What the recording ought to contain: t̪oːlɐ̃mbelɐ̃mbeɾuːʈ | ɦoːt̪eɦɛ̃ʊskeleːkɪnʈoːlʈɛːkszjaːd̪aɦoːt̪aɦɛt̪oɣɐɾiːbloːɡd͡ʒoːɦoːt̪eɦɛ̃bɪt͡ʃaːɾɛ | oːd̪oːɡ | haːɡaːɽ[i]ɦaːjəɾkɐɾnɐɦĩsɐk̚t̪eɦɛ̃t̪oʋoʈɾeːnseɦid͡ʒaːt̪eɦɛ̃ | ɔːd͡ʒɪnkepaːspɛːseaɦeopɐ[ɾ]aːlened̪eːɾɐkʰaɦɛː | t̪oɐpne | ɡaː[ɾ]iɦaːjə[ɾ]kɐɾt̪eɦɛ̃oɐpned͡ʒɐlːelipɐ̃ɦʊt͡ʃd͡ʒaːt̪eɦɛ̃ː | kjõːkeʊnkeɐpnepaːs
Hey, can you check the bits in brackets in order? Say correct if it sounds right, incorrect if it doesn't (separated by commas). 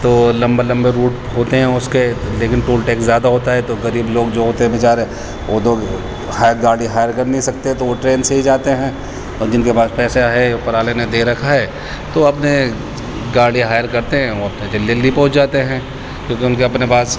correct, correct, incorrect, correct